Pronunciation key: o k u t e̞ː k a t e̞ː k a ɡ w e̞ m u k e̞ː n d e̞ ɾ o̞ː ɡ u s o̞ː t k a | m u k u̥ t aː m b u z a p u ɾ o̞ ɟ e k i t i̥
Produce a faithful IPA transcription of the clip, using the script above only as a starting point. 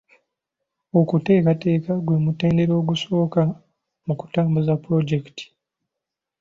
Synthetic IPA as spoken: o k u t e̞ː k a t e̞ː k a ɡ w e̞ m u t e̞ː n d e̞ ɾ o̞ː ɡ u s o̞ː k a | m u k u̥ t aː m b u z a p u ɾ o̞ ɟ e k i t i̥